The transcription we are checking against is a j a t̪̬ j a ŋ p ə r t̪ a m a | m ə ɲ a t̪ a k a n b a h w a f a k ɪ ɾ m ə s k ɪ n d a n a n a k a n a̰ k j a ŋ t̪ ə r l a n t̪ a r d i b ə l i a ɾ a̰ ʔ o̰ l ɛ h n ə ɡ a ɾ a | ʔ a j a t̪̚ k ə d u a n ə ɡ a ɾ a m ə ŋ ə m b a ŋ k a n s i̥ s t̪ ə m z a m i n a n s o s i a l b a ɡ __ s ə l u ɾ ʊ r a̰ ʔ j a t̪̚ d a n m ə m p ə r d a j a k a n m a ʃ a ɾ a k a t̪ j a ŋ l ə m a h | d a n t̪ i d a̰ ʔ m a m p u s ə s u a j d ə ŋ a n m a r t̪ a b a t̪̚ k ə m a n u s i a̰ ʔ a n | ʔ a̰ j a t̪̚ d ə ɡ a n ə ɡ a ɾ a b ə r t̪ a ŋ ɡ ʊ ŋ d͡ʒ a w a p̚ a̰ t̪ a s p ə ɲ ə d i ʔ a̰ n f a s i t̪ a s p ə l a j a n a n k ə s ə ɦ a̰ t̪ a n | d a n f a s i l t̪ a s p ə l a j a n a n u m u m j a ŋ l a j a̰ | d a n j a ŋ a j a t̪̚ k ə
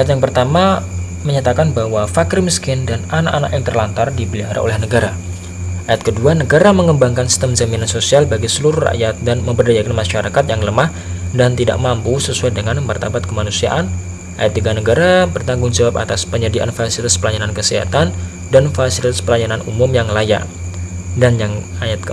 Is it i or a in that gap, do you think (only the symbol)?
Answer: i